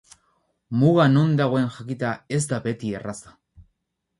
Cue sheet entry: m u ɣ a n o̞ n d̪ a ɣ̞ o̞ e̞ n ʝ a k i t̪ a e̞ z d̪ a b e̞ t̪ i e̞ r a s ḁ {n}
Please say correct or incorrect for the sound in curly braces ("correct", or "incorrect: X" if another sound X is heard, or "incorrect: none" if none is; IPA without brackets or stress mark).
incorrect: none